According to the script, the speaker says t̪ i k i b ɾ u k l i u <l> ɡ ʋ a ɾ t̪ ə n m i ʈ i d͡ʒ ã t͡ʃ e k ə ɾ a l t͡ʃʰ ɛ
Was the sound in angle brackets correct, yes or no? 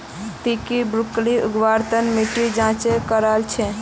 no